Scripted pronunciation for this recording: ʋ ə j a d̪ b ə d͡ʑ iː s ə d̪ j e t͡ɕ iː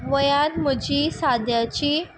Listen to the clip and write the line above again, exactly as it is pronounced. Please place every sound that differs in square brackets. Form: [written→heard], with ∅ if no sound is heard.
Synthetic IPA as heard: ʋ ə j a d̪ [b→m] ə d͡ʑ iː s [ə→a] d̪ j [e→a] t͡ɕ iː